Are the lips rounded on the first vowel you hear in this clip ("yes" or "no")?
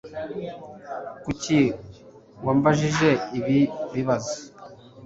yes